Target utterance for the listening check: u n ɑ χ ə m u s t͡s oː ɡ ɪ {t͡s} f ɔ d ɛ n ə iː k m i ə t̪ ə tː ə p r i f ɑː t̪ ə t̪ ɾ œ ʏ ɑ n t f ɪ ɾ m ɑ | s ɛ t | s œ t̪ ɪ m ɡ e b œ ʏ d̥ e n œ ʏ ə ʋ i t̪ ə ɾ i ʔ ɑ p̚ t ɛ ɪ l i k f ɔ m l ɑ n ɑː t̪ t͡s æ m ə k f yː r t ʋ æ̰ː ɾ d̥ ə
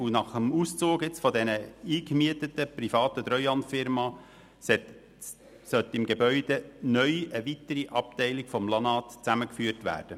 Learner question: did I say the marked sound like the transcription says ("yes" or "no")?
yes